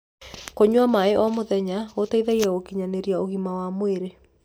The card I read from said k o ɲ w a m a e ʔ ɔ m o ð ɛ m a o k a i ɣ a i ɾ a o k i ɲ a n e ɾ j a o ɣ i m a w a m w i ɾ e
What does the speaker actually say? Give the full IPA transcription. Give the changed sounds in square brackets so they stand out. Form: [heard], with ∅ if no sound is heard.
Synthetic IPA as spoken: k o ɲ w a m a e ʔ ɔ m o ð ɛ [ɲ] a o [t] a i [ð] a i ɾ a o k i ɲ a n e ɾ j a o ɣ i m a w a m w [e] ɾ e